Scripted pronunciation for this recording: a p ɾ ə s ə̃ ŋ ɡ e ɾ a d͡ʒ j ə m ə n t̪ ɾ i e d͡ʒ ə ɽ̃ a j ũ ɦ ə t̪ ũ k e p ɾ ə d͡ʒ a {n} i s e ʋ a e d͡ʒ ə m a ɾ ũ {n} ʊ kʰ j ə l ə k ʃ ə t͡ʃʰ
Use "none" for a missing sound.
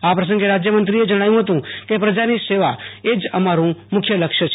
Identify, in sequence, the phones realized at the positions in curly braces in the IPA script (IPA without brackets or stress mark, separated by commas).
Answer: n, m